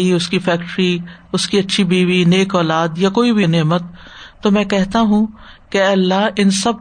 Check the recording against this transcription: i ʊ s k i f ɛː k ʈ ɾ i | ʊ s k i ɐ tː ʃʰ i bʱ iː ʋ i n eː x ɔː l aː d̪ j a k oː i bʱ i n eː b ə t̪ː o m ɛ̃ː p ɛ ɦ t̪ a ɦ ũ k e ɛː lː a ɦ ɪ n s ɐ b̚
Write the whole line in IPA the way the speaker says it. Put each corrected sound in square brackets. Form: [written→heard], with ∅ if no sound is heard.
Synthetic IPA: i ʊ s k i f ɛː k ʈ ɾ i | ʊ s k i ɐ tː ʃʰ i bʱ iː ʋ i n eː [x→k] ɔː l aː d̪ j a k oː i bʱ i n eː [b→m] ə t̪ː o m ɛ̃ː [p→k] ɛ ɦ t̪ a ɦ ũ k e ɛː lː a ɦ ɪ n s ɐ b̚